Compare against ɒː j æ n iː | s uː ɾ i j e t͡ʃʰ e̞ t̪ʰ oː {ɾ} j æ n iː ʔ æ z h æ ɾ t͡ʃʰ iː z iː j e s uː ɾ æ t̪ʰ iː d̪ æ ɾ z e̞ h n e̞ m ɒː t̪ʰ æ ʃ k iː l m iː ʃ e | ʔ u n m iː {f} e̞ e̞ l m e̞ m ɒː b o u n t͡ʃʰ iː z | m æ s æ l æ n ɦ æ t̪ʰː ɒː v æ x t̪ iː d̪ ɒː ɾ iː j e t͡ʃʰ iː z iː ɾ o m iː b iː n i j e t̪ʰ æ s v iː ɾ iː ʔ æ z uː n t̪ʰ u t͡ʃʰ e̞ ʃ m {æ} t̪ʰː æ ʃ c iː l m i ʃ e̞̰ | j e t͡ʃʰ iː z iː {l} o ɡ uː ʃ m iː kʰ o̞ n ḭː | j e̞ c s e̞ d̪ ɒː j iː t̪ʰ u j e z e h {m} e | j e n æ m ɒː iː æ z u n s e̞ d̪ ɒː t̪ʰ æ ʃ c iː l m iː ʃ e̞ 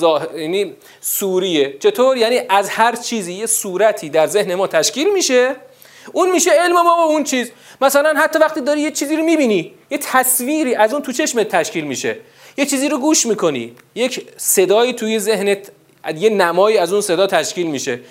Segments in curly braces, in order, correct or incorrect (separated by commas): correct, incorrect, incorrect, incorrect, incorrect